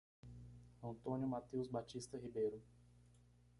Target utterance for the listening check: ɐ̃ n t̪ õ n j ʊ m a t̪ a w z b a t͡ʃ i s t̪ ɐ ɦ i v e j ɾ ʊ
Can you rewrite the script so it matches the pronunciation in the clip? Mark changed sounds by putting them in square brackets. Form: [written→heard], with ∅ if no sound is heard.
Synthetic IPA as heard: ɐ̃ n t̪ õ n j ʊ m a t̪ [a→e] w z b a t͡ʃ i s t̪ ɐ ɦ i [v→b] e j ɾ ʊ